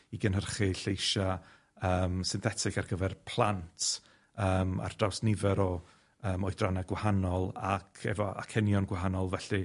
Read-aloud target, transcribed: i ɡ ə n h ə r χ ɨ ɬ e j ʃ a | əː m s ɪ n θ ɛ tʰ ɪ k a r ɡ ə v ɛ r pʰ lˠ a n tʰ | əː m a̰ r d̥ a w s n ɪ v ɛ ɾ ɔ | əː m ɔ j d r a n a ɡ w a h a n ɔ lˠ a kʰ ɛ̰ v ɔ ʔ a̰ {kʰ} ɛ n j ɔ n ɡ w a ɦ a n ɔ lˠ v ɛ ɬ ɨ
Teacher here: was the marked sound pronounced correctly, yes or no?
yes